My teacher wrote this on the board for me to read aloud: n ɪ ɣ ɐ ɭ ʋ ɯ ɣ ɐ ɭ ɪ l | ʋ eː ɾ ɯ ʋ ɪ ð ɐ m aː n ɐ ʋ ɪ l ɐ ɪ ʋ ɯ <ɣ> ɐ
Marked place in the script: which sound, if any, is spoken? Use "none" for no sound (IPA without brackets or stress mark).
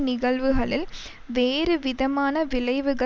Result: ɣ